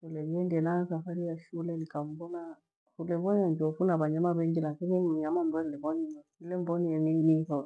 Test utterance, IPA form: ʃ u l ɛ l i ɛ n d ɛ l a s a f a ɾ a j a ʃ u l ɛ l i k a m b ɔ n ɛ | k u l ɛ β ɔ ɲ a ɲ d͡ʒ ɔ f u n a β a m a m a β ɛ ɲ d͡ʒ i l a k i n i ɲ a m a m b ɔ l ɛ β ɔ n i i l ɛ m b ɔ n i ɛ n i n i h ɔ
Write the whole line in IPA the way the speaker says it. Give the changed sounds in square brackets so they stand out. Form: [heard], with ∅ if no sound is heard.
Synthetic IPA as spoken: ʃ u l ɛ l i ɛ n d ɛ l a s a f a ɾ [i] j a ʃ u l ɛ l i k a m b ɔ n [a] | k u l ɛ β ɔ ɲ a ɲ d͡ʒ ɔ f u n a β a [ɲ] a m a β ɛ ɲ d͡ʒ i l a k i n i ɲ a m a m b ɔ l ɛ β ɔ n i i l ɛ m b ɔ n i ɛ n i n i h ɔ